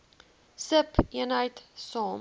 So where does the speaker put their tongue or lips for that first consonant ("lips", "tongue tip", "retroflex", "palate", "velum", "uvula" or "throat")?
tongue tip